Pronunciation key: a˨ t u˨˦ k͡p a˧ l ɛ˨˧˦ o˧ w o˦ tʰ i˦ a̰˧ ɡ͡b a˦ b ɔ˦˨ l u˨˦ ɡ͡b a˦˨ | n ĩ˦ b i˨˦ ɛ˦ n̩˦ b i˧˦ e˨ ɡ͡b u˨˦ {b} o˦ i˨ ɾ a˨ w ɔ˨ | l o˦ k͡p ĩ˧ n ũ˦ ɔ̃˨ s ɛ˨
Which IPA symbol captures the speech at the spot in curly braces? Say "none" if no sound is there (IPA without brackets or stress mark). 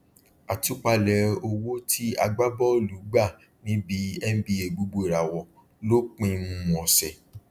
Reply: ɡ͡b